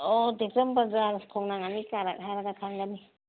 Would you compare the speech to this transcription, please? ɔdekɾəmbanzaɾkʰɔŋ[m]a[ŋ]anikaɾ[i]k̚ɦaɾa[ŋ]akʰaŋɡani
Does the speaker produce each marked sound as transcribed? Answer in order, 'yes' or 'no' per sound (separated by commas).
no, yes, no, no